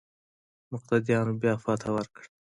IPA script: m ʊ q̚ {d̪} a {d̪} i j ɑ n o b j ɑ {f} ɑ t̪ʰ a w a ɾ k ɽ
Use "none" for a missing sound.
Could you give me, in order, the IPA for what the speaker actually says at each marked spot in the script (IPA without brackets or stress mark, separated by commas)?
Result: t̪, d̪, f